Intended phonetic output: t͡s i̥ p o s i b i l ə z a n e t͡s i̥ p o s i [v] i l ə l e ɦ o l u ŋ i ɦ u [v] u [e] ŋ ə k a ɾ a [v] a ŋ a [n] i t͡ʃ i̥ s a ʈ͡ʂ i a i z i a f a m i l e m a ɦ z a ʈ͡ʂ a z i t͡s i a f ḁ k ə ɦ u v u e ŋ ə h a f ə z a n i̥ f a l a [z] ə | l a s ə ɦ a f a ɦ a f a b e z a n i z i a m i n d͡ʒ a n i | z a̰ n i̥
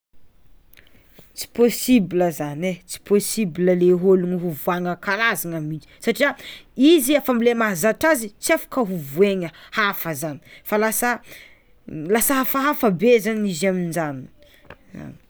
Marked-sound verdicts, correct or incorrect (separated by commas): incorrect, correct, incorrect, incorrect, incorrect, incorrect